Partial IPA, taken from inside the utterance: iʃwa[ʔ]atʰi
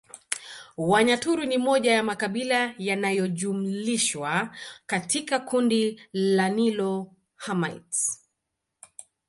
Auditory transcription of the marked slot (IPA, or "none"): k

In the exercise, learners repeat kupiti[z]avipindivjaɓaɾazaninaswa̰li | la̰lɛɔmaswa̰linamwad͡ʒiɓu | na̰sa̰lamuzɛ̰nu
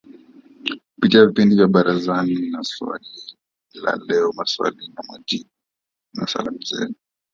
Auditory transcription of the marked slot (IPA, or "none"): none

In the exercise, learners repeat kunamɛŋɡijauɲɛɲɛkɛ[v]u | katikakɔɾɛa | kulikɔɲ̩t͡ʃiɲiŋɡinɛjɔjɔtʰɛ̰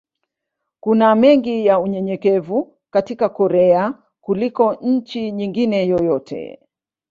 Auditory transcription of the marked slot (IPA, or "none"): v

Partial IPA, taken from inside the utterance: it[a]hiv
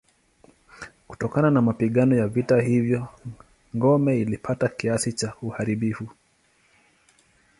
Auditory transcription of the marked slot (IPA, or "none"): a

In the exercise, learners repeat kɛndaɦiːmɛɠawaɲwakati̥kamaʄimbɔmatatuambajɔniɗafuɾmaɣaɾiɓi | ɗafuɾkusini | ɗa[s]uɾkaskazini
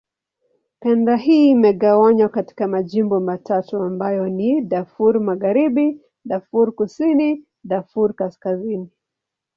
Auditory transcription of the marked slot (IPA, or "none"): f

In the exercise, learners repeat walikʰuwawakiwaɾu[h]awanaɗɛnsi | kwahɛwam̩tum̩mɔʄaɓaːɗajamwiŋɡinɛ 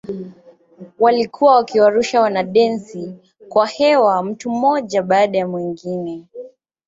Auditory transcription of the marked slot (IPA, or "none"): ʃ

